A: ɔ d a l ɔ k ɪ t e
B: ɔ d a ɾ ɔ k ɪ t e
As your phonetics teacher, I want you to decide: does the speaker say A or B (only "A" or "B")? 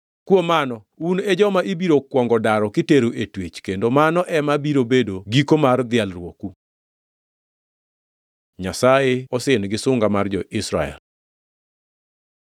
B